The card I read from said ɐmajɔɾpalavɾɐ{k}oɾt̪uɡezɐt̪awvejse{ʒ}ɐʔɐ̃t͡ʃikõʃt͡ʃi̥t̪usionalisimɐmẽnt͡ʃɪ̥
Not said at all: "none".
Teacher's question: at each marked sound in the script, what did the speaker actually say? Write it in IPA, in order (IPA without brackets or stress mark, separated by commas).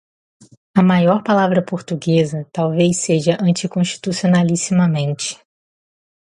p, ʒ